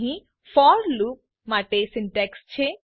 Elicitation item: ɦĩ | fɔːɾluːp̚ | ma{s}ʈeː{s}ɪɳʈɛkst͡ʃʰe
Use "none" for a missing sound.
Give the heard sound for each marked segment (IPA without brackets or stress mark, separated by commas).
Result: none, s